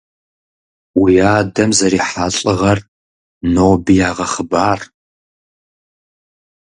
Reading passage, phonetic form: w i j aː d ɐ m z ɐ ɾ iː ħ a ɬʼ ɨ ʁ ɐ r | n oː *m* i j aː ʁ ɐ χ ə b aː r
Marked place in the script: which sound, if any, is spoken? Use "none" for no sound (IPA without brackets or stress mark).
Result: b